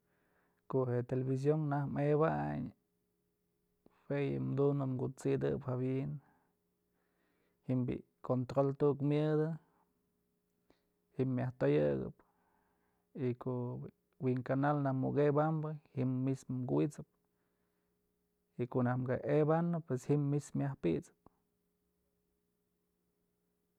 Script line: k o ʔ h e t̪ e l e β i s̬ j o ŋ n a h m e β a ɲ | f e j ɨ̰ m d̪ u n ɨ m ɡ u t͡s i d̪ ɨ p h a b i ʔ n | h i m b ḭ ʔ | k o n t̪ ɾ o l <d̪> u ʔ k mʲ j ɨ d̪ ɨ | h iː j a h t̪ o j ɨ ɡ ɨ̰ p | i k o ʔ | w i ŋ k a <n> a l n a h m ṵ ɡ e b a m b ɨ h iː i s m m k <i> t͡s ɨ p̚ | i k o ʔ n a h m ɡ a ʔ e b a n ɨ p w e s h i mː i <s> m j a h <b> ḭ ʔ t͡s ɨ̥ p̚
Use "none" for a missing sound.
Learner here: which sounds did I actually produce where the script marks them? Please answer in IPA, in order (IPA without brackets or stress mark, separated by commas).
t̪, n, i, s, p